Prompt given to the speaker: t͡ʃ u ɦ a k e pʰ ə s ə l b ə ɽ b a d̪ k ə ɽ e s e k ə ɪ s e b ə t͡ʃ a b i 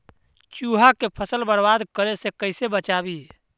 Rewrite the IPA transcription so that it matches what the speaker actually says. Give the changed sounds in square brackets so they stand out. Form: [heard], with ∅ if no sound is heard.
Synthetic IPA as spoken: t͡ʃ u ɦ a k e pʰ ə s ə l b ə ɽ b a d̪ k ə [ɾ] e s e k ə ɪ s e b ə t͡ʃ a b i